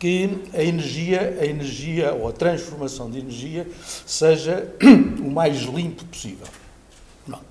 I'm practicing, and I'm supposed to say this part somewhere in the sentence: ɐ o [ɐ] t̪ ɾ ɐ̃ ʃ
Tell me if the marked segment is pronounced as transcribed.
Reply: yes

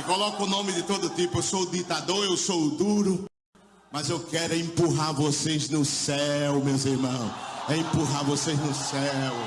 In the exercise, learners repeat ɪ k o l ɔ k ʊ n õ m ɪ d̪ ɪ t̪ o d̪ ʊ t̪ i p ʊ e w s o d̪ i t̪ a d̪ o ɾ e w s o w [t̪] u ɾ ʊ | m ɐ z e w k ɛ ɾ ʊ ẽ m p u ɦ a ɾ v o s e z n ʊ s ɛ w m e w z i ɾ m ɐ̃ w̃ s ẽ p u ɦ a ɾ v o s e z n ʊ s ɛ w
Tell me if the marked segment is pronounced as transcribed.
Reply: no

